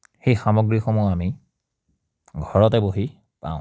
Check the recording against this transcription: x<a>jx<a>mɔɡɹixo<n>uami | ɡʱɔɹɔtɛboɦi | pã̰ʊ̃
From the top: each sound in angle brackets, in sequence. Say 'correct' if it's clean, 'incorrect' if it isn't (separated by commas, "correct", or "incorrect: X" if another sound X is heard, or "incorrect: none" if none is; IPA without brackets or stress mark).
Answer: incorrect: e, correct, incorrect: m